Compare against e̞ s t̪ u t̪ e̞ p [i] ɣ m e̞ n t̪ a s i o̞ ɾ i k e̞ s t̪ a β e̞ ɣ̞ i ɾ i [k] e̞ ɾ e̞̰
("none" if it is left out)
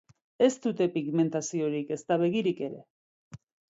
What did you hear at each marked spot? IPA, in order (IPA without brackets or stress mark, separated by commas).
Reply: i, k